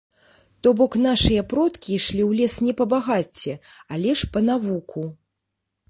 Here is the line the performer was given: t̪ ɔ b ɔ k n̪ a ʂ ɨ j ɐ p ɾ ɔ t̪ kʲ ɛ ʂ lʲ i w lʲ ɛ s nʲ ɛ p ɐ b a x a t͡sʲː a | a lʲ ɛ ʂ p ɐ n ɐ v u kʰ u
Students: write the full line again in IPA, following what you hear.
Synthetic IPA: t̪ ɔ b ɔ k n̪ a ʂ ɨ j ɐ p ɾ ɔ t̪ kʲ i ʂ lʲ i w lʲ ɛ s nʲ ɛ p ɐ b a ɣ a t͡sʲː ɛ | a lʲ ɛ ʂ p ɐ n a v u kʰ u